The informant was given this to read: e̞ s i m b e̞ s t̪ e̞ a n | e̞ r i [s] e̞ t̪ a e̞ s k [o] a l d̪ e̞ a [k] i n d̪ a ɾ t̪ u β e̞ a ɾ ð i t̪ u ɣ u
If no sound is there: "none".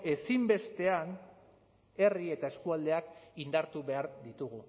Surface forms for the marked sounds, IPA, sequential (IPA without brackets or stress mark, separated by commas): none, u, k